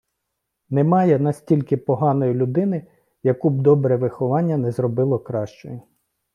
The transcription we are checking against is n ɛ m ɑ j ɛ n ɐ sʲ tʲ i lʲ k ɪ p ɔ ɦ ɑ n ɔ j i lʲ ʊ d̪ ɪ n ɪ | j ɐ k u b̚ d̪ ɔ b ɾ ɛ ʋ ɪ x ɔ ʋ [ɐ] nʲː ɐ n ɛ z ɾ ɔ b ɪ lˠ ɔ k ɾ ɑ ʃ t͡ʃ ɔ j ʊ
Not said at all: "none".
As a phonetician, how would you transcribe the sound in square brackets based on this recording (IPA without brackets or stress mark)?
ɑ